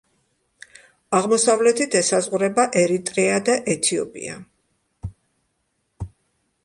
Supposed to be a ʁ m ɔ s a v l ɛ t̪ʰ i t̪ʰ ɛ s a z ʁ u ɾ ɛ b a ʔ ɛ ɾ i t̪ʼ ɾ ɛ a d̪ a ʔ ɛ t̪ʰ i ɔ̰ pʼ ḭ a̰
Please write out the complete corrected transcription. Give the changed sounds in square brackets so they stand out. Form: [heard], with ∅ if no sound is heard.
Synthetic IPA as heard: a ʁ m ɔ s a v l ɛ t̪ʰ i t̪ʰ ɛ s a z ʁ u ɾ ɛ b a ʔ ɛ ɾ i t̪ʼ ɾ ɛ a d̪ a ʔ ɛ t̪ʰ i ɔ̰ pʼ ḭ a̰